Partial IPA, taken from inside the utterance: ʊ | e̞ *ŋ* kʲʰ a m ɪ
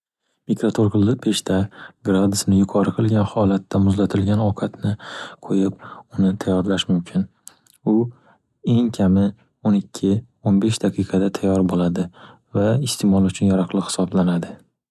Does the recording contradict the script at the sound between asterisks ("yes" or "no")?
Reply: no